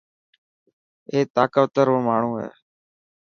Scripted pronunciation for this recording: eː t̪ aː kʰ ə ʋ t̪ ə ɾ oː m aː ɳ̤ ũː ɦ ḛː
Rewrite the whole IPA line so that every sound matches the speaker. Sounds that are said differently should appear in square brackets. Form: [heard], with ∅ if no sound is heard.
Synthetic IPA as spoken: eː t̪ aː [k] ə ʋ t̪ ə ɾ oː m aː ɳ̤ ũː ɦ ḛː